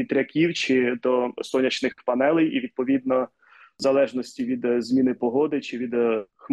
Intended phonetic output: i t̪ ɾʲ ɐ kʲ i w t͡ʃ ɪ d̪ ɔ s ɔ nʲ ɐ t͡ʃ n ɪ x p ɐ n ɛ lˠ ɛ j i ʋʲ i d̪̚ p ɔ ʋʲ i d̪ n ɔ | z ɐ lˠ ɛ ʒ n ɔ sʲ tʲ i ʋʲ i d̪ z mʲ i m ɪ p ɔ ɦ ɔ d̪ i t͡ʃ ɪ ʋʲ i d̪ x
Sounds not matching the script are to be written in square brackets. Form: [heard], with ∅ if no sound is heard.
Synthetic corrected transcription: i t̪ ɾʲ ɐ kʲ i w t͡ʃ ɪ d̪ ɔ s ɔ nʲ ɐ t͡ʃ n ɪ x p ɐ n ɛ lˠ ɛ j i ʋʲ i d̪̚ p ɔ ʋʲ i d̪ n ɔ | z ɐ lˠ ɛ ʒ n ɔ sʲ tʲ i ʋʲ i d̪ z mʲ i [n] ɪ p ɔ ɦ ɔ d̪ [ɪ] t͡ʃ ɪ ʋʲ i d̪ x